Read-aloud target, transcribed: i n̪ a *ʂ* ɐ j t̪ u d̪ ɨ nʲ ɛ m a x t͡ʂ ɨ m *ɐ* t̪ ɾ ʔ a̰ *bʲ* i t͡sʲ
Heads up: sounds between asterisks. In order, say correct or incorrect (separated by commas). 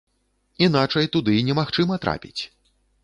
incorrect, correct, incorrect